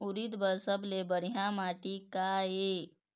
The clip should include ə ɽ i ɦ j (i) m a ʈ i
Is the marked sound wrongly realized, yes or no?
yes